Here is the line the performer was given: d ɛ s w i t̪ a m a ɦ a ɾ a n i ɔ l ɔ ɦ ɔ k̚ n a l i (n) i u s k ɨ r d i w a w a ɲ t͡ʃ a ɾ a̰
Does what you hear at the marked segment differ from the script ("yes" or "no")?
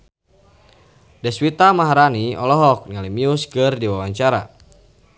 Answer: yes